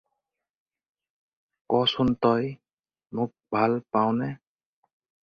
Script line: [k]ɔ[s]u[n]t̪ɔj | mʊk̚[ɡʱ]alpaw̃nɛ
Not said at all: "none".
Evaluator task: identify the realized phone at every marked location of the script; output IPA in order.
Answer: k, s, n, bʱ

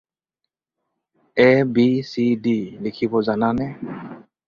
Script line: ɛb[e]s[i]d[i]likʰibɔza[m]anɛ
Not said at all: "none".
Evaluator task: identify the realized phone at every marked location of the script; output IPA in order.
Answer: i, i, i, n

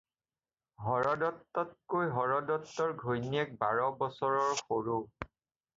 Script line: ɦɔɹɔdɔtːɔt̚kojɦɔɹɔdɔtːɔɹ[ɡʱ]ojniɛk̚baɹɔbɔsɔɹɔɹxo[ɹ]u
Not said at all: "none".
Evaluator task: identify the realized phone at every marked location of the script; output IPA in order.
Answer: ɡʱ, ɹ

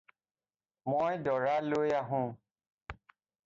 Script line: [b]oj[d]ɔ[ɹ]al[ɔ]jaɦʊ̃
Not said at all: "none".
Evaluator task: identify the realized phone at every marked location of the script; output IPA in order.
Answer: m, d, ɹ, o

